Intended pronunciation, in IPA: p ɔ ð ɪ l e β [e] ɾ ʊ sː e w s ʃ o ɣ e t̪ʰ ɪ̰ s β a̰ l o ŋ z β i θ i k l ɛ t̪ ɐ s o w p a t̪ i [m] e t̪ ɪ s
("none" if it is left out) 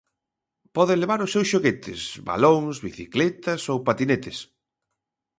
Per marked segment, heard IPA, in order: a, n

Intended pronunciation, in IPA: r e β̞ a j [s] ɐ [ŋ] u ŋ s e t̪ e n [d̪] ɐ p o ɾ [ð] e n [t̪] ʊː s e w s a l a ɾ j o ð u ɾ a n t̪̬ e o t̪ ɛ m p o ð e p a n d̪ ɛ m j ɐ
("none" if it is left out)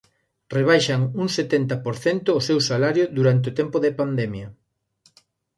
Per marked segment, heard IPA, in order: ʃ, ŋ, t̪, θ, t̪

